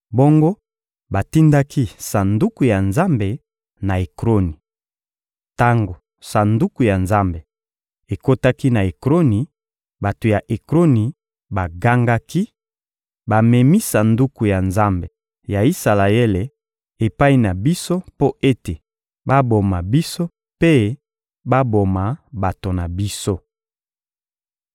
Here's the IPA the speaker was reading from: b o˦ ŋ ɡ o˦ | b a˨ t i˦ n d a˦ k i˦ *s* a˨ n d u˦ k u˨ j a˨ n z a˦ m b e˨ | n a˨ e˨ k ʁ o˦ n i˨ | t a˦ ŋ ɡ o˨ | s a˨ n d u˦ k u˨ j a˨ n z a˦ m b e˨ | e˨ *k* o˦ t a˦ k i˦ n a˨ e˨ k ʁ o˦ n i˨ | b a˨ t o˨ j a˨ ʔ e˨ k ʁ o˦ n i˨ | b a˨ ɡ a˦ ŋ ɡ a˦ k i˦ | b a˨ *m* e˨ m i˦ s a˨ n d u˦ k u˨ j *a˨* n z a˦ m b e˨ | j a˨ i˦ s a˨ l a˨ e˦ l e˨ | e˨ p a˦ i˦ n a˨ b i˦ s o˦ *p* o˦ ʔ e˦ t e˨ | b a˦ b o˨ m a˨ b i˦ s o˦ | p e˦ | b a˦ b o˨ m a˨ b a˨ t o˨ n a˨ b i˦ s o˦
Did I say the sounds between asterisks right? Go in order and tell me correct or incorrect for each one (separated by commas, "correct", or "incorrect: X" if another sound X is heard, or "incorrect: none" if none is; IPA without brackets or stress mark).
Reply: correct, correct, correct, correct, correct